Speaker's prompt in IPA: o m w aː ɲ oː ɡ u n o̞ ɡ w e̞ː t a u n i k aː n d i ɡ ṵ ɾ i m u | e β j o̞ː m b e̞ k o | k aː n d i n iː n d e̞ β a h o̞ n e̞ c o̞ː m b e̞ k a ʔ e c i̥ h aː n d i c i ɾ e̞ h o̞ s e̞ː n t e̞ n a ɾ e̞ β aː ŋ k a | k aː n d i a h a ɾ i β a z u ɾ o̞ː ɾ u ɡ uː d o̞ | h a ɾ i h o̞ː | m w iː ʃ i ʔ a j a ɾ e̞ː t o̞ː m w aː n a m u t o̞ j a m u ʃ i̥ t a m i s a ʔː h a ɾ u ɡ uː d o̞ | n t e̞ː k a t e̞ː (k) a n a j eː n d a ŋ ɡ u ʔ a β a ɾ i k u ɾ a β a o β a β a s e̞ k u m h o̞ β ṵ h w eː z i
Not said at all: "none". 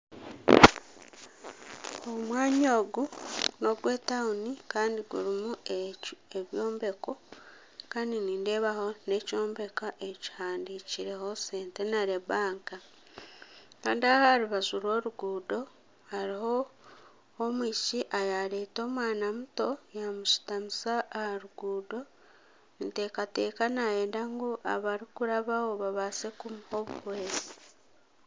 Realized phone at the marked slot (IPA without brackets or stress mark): k